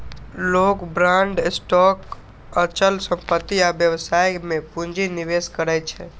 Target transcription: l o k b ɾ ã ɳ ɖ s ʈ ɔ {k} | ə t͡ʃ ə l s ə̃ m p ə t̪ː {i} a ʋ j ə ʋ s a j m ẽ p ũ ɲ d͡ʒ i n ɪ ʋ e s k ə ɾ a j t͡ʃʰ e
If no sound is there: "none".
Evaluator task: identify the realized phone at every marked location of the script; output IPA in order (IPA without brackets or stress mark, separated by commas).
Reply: k, i